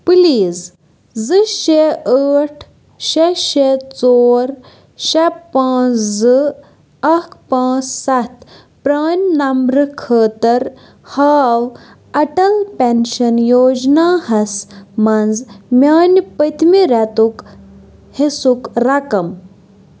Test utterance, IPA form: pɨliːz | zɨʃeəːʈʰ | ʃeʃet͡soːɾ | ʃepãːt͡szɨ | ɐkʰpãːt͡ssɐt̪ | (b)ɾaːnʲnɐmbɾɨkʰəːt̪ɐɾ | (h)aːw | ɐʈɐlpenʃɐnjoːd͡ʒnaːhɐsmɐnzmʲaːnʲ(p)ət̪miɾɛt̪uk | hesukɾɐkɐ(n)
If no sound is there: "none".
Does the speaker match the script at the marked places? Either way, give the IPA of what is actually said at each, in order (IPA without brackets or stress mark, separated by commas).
p, h, p, m